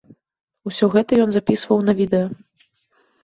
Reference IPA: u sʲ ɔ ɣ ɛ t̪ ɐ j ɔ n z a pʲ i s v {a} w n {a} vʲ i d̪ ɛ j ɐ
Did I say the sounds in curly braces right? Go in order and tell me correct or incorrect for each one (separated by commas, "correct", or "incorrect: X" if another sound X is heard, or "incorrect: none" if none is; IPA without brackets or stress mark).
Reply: incorrect: ɐ, incorrect: ɐ